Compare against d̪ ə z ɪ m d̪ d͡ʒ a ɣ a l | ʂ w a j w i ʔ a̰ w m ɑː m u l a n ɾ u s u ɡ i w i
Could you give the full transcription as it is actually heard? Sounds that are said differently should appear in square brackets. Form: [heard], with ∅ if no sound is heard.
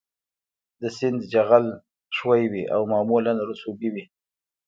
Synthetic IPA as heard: d̪ ə [s] ɪ [n] d̪ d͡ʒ a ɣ a l | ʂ w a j w i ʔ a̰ w m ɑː m u l a n ɾ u s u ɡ i w i

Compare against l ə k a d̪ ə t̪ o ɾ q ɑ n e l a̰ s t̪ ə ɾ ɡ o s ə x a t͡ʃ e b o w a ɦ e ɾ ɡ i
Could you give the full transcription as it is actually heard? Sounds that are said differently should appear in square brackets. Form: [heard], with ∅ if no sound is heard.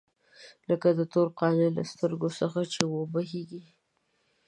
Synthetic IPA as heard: l ə k a d̪ ə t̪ o ɾ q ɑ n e l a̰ s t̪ ə ɾ ɡ o s ə x a t͡ʃ e [w] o [b] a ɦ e [∅] ɡ i

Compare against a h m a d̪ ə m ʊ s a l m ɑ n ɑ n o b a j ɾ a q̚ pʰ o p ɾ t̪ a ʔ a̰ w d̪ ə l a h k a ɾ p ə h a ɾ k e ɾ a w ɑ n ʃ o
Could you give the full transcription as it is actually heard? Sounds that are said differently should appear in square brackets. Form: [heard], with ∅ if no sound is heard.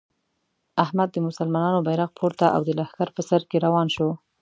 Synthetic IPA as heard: a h m a [d̪ː] ə m ʊ s a l m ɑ n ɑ n o b a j ɾ a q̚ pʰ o [∅] ɾ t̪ a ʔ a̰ w d̪ ə l a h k a ɾ p ə [s] a ɾ k e ɾ a w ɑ n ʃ o

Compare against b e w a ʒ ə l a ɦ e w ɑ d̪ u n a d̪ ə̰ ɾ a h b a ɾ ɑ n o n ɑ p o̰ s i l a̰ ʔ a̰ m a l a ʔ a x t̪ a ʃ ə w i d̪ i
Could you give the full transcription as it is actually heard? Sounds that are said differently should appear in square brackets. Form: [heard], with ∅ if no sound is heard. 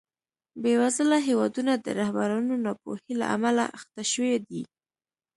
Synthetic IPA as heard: b e w a [z] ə l a ɦ e w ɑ d̪ u n a d̪ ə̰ ɾ a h b a ɾ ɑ n o n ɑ p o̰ [h] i l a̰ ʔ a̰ m a l a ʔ a x t̪ a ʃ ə w [e] d̪ i

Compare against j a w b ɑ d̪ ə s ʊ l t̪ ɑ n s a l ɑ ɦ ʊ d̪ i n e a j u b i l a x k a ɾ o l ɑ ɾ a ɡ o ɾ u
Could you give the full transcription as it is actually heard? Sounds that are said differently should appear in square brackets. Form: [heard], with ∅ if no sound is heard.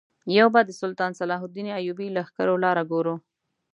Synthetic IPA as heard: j a w b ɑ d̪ ə s ʊ l t̪ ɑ n s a l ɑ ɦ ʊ d̪ i n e a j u b i l a x k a ɾ o l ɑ ɾ a ɡ o ɾ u

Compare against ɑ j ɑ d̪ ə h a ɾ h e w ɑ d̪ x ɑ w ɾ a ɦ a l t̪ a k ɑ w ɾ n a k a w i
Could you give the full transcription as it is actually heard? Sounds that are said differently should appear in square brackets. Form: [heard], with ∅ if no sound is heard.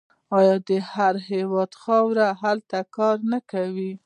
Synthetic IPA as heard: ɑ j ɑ d̪ ə h a ɾ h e w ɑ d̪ x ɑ w ɾ a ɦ a l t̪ a k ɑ [∅] ɾ n a k a w i

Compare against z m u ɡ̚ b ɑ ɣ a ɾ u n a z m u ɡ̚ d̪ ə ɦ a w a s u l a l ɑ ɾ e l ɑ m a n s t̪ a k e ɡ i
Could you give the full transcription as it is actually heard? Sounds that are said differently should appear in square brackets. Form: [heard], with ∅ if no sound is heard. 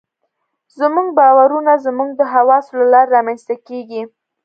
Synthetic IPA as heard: z m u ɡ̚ b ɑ [w] a ɾ u n a z m u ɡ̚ d̪ ə ɦ a w [ɑ] s [o] l a l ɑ ɾ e [ɾ] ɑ m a n s t̪ a k e ɡ i

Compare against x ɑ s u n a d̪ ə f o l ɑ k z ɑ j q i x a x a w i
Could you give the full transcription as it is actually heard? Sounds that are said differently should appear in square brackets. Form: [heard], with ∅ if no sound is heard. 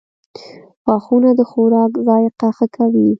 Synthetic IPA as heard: x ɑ [x] u n a d̪ ə [x] o [ɾ] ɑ k z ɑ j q [a] x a [k] a w i

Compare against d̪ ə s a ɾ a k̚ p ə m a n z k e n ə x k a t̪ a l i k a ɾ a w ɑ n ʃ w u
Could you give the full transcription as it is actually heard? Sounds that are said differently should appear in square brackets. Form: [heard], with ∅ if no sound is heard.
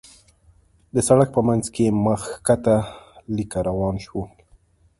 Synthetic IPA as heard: d̪ ə s a [ɽ] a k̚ p ə m a n z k e [m] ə x k a t̪ a l i k a ɾ a w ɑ n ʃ w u

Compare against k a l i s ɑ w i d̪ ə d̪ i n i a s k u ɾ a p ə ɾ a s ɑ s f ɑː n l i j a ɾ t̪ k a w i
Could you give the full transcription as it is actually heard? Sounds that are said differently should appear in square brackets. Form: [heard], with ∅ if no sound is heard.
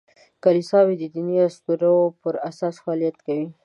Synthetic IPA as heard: k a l i s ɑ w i d̪ ə d̪ i n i a s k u ɾ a p ə ɾ a s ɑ s f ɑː [∅] l i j a [∅] t̪ k a w i

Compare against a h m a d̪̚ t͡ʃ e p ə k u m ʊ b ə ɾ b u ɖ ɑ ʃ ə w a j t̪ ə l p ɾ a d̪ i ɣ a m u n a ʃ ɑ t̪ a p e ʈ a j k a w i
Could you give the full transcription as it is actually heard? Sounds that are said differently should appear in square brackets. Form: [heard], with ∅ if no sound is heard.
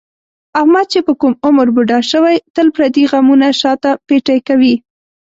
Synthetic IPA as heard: a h m a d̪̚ t͡ʃ e p ə k u m ʊ [m] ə ɾ b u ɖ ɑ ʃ ə w a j t̪ ə l p ɾ a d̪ i ɣ a m u n a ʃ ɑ t̪ a p e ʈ a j k a w i

